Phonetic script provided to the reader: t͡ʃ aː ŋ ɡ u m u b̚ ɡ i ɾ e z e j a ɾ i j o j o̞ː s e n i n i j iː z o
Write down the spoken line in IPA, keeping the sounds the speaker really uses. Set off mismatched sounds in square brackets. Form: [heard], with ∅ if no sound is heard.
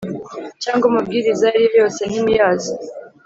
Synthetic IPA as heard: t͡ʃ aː ŋ ɡ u m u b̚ ɡ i ɾ [i] z [a] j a ɾ i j o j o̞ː s e n i [m] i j [aː] z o